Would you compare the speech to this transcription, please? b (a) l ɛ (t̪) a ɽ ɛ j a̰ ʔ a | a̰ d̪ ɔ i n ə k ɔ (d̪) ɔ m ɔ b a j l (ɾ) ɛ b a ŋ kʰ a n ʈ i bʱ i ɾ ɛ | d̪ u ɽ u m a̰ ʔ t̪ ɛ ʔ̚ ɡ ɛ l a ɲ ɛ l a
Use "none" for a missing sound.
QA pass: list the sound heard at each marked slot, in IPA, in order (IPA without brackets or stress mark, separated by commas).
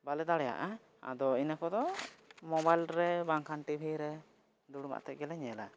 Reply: a, d̪, d̪, ɾ